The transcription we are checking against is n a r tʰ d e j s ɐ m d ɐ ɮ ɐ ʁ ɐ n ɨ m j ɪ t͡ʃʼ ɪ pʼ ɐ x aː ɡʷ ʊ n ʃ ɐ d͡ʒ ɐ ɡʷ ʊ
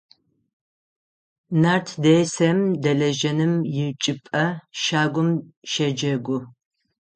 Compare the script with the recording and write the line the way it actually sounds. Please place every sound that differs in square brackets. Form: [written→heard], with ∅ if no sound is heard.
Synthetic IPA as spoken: n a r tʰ d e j s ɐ m d ɐ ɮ ɐ [ʁ→ʒ] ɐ n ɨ m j ɪ t͡ʃʼ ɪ pʼ ɐ [x→ʃ] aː ɡʷ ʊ [n→m] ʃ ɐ d͡ʒ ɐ ɡʷ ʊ